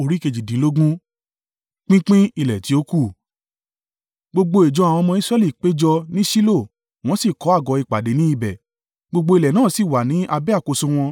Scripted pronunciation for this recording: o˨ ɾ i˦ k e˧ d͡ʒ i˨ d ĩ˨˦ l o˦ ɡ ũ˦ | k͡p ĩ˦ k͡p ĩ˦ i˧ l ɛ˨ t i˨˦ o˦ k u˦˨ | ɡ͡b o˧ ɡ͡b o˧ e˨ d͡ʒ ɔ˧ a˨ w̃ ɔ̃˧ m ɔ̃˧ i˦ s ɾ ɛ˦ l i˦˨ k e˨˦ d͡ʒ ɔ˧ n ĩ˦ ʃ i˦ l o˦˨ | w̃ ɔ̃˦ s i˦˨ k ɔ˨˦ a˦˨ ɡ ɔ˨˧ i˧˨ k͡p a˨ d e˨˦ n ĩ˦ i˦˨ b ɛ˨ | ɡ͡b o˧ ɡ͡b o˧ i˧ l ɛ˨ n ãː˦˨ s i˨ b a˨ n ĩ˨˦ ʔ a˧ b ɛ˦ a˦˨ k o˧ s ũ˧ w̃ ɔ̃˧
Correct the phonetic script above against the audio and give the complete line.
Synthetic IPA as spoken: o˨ ɾ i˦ k e˧ d͡ʒ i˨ d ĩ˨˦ l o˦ ɡ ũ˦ | k͡p ĩ˦ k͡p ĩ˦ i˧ l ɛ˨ t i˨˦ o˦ k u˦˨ | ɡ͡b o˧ ɡ͡b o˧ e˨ d͡ʒ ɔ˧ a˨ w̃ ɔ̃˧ m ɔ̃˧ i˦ s ɾ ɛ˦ l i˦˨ k͡p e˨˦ d͡ʒ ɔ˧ n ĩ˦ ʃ i˦ l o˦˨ | w̃ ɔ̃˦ s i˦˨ k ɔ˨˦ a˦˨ ɡ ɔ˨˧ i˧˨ k͡p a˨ d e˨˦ n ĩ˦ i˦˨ b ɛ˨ | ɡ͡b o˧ ɡ͡b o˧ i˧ l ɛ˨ n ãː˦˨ s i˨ w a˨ n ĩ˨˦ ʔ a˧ b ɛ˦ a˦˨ k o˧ s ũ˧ w̃ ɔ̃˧